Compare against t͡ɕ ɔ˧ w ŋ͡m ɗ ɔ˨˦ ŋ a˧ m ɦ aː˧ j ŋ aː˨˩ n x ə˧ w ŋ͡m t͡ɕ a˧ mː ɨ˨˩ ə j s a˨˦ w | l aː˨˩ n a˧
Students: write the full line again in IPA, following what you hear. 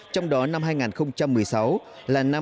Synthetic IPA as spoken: t͡ɕ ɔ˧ w ŋ͡m ɗ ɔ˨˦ n a˧ m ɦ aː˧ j ŋ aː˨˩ n x ə˧ w ŋ͡m t͡ɕ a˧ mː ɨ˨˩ ə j s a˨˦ w | l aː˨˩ n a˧